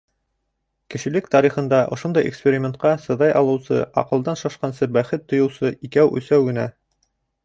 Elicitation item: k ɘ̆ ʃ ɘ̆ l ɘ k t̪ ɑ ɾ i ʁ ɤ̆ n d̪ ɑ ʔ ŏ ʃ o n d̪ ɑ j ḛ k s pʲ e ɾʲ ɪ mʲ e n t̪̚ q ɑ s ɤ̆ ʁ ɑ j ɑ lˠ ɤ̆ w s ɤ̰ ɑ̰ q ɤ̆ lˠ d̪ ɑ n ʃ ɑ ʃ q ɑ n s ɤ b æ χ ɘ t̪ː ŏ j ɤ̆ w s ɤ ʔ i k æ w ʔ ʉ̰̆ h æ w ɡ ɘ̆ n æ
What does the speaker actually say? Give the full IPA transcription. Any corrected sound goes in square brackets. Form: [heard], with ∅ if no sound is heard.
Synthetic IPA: k ɘ̆ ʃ ɘ̆ l ɘ k t̪ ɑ ɾ i [χ] ɤ̆ n d̪ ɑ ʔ ŏ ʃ o n d̪ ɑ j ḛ k s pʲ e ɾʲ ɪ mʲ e n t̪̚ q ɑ s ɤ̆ [ð] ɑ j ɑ lˠ ɤ̆ w s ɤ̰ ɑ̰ q ɤ̆ lˠ d̪ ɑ n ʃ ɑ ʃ q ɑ n s ɤ b æ χ ɘ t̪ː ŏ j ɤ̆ w s ɤ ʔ i k æ w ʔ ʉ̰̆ [s] æ w ɡ ɘ̆ n æ